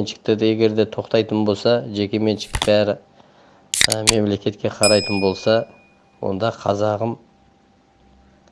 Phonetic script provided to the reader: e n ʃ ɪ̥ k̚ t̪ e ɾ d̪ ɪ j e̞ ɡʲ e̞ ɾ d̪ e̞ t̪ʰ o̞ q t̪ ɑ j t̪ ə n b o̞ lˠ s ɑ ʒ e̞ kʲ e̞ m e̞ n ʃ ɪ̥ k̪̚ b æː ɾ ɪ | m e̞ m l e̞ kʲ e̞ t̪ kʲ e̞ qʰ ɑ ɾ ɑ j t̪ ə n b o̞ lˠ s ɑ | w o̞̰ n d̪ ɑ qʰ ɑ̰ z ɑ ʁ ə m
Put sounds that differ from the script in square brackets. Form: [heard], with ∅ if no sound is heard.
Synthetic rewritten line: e n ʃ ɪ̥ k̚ t̪ e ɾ d̪ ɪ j e̞ ɡʲ e̞ ɾ d̪ e̞ t̪ʰ o̞ q t̪ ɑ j t̪ ə n b o̞ lˠ s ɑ ʒ e̞ kʲ e̞ m e̞ n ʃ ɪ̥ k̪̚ b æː ɾ ɪ | m e̞ m l e̞ kʲ e̞ t̪ kʲ e̞ qʰ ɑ ɾ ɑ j t̪ ə n b o̞ lˠ s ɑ | w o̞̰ n d̪ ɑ qʰ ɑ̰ z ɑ ʁ ə m